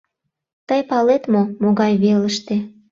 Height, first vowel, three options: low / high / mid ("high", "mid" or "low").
mid